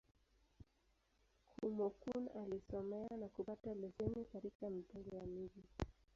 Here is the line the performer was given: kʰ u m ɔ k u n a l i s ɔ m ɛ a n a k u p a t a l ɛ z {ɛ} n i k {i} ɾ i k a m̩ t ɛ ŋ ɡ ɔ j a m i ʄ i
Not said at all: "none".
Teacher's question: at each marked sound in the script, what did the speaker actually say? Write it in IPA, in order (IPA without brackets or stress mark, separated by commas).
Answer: ɛ, a